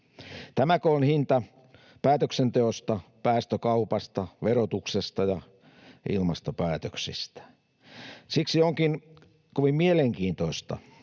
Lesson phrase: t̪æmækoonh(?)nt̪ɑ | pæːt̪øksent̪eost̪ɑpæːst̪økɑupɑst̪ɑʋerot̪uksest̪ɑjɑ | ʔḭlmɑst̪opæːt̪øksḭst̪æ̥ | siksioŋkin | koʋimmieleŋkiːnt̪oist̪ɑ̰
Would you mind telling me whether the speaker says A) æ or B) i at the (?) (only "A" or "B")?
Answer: B